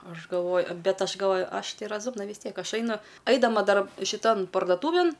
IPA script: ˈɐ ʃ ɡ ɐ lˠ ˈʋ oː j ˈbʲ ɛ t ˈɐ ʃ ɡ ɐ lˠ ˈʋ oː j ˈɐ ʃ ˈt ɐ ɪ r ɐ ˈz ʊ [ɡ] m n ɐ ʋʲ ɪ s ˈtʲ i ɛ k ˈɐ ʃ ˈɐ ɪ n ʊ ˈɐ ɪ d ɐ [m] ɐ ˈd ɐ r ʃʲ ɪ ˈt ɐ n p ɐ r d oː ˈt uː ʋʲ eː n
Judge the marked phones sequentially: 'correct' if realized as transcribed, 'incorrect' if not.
incorrect, correct

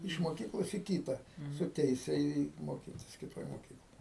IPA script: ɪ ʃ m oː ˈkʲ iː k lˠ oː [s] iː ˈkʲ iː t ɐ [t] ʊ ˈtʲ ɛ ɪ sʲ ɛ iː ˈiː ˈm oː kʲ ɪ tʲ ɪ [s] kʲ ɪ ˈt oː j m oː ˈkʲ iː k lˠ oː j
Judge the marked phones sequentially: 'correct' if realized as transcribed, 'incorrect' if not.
correct, incorrect, correct

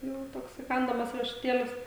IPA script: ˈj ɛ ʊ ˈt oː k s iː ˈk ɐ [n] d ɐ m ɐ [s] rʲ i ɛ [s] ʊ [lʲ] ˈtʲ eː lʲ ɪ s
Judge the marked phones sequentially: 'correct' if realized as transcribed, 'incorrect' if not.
correct, correct, incorrect, incorrect

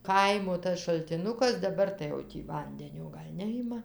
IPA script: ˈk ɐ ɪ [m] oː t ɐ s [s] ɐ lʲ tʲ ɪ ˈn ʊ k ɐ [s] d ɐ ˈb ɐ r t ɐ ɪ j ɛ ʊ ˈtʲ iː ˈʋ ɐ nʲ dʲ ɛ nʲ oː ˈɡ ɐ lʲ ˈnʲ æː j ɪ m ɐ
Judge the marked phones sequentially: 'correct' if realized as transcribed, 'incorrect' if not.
correct, incorrect, correct

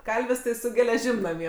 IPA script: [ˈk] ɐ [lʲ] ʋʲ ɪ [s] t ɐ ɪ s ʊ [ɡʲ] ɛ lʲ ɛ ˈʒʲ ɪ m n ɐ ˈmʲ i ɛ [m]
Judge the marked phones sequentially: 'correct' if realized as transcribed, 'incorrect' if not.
correct, correct, correct, correct, incorrect

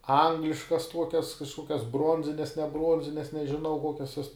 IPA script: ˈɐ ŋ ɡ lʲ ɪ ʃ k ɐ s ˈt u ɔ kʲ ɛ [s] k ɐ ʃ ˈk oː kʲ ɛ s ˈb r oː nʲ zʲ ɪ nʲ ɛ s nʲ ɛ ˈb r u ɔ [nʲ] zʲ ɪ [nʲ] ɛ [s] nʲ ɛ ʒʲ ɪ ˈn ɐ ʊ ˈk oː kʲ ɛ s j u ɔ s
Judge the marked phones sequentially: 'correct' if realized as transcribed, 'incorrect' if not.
correct, correct, correct, correct

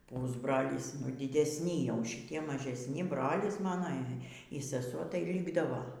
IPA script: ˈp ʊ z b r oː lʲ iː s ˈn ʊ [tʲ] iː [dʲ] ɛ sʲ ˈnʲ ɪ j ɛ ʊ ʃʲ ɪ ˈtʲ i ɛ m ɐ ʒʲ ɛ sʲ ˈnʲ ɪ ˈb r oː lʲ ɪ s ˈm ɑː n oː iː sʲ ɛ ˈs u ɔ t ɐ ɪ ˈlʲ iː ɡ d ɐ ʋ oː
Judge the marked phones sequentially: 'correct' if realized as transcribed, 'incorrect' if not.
incorrect, correct

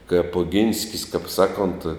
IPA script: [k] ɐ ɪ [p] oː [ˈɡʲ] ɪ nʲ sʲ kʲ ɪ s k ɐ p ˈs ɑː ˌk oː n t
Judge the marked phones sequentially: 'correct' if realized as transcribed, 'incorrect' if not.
correct, correct, correct

